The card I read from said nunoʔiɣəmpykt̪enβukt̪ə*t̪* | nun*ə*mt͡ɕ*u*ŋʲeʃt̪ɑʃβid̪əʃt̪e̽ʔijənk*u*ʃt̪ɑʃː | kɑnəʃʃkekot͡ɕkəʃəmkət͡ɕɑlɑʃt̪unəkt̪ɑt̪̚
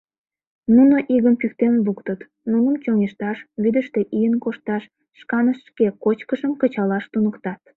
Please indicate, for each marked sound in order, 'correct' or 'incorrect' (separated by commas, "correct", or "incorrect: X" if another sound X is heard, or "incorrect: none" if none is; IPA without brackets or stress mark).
correct, correct, incorrect: o, incorrect: o